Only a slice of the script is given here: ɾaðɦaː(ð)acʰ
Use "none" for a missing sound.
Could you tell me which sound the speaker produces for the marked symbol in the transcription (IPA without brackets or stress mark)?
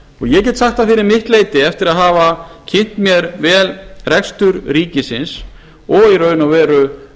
v